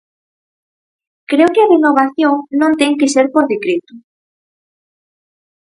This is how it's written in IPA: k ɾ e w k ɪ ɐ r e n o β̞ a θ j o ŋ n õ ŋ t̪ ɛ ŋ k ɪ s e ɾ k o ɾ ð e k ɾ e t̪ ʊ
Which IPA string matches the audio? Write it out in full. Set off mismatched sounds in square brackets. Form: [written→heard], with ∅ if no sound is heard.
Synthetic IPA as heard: k ɾ e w k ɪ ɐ r e n o β̞ a θ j o ŋ n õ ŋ t̪ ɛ ŋ k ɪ s e ɾ [k→p] o ɾ ð e k ɾ e t̪ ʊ